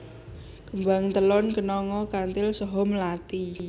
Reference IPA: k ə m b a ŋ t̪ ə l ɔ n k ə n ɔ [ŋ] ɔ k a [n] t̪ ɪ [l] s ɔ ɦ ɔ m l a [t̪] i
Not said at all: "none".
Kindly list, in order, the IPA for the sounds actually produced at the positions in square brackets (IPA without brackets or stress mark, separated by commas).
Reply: ŋ, n, l, t̪